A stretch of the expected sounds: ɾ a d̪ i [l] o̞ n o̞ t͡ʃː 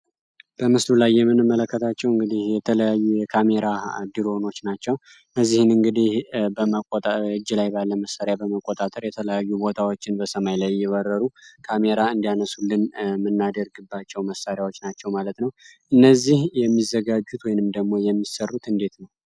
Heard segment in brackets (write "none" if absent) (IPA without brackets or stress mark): ɾ